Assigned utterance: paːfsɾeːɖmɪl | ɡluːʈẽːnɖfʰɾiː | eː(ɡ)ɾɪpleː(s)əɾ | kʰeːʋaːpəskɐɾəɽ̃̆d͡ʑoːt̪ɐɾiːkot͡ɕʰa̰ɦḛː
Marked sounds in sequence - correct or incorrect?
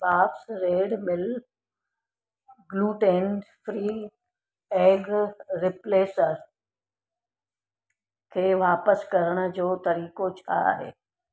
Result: correct, correct

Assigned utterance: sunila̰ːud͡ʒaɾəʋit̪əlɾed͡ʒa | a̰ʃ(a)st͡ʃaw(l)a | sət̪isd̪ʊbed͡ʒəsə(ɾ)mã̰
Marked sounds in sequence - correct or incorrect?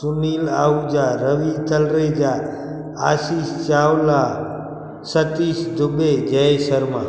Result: incorrect, correct, correct

